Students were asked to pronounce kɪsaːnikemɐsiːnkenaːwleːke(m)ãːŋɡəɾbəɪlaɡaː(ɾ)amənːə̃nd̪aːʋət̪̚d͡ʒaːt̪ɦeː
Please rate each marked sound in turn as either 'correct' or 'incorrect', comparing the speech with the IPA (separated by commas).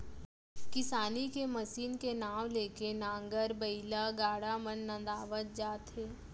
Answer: incorrect, incorrect